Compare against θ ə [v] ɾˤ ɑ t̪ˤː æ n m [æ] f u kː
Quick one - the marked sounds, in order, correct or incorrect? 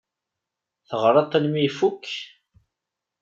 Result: incorrect: ʁ, incorrect: i

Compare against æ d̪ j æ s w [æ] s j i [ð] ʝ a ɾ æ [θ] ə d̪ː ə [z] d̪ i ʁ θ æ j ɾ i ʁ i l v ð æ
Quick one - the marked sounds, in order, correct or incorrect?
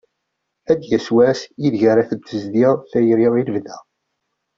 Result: correct, correct, correct, correct

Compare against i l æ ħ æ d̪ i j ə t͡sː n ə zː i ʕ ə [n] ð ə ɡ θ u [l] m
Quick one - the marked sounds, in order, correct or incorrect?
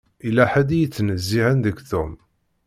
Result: correct, incorrect: none

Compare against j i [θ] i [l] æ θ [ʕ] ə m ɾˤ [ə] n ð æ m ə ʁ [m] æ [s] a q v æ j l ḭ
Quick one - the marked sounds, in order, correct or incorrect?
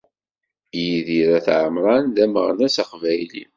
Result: incorrect: ð, incorrect: ɾ, correct, incorrect: ɑ, incorrect: n, correct

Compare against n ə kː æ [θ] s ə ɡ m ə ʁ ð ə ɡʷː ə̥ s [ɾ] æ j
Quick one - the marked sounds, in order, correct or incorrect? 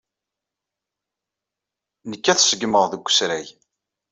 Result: correct, correct

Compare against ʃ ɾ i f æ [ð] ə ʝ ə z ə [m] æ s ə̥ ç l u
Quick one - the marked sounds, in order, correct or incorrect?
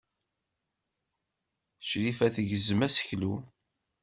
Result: incorrect: θ, correct

